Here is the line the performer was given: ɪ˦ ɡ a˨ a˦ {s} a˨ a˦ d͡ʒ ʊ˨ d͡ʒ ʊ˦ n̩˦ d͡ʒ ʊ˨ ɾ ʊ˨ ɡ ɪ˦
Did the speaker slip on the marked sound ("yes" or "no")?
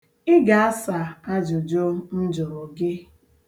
no